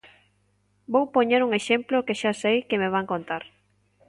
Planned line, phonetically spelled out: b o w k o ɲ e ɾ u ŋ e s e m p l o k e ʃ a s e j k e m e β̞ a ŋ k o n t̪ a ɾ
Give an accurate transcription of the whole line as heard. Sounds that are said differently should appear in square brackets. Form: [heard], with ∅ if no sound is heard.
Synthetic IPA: b o w [p] o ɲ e ɾ u ŋ e [ʃ] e m p l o k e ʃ a s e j k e m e β̞ a ŋ k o n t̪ a ɾ

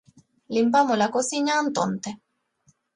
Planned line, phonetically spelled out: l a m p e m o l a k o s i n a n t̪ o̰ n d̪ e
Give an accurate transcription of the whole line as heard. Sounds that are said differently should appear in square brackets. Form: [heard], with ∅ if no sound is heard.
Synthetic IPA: l [i] m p [a] m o l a k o s i [ɲ] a n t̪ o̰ n [t̪] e

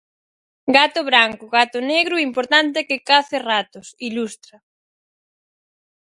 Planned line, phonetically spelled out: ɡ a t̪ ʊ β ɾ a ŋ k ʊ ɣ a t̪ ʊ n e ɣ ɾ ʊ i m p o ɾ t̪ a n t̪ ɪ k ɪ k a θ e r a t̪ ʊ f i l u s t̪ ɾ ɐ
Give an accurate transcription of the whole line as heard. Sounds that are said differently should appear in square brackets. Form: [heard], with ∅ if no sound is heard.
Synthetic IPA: ɡ a t̪ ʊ β ɾ a ŋ k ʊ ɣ a t̪ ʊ n e ɣ ɾ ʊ i m p o ɾ t̪ a n t̪ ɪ k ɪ k a θ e r a t̪ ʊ [s] i l u s t̪ ɾ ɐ

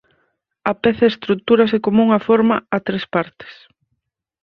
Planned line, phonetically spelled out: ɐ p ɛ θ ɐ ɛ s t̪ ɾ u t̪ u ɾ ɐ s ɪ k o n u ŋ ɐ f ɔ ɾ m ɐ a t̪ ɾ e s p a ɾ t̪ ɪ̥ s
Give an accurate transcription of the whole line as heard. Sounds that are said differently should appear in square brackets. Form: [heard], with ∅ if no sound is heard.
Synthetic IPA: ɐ p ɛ θ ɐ [e] s t̪ ɾ u t̪ u ɾ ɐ s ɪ k o [m] u ŋ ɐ f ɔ ɾ m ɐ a t̪ ɾ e s p a ɾ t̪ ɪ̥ s

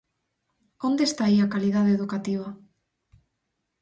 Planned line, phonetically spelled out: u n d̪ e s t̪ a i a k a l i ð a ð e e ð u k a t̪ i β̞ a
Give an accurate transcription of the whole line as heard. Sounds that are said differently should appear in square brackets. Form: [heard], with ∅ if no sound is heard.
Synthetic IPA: [o] n d̪ e s t̪ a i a k a l i ð a ð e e ð u k a t̪ i β̞ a

